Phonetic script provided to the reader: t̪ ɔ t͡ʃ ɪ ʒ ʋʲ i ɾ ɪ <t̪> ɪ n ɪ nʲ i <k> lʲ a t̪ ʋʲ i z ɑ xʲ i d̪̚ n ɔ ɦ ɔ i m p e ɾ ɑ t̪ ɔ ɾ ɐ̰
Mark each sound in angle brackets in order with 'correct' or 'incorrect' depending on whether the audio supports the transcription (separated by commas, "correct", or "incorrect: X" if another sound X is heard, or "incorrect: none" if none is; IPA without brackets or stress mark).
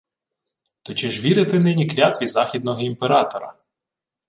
correct, correct